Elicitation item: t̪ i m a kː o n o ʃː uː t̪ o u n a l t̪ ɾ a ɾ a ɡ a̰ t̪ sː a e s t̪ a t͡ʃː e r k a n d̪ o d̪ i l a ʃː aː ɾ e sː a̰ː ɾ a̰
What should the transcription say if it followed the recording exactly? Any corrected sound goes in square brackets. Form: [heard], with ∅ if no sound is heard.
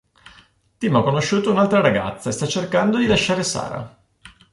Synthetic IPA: t̪ i m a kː o n o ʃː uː t̪ o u n a l t̪ ɾ a ɾ a ɡ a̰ t̪ sː a e s t̪ a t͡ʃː e r k a n d̪ o d̪ i l a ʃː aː ɾ e [s] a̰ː ɾ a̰